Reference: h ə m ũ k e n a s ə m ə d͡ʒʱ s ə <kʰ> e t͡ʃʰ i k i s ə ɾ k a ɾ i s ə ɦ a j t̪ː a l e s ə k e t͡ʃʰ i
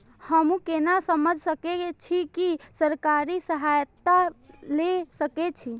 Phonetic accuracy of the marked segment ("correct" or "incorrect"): incorrect